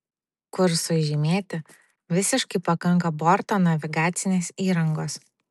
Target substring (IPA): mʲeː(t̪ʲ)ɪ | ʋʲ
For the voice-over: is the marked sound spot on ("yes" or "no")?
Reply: yes